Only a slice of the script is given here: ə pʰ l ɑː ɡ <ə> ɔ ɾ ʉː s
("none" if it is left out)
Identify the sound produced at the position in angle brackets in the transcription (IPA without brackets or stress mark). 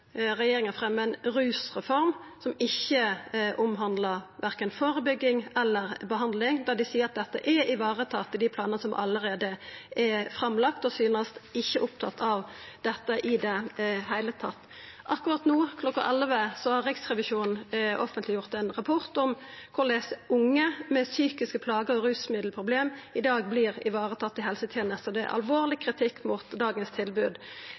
ə